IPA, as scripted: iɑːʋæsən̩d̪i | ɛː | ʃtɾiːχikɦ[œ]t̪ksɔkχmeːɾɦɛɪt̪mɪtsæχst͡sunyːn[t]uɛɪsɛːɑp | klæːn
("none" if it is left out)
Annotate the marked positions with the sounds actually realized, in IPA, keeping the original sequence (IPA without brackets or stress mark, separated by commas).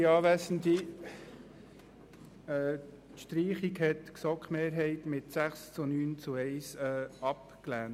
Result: ɛ, t͡s